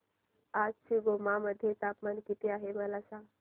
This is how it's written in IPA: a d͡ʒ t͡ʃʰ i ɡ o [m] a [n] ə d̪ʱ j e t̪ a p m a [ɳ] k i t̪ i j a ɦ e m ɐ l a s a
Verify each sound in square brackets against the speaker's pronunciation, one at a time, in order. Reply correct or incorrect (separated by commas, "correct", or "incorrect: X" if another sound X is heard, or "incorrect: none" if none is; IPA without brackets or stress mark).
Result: correct, incorrect: m, incorrect: n